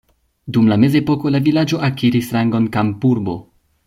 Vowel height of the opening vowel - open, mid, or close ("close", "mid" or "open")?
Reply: close